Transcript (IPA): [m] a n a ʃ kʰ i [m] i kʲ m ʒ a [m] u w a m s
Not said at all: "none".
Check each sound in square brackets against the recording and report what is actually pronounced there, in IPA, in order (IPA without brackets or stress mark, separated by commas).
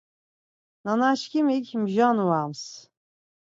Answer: n, m, n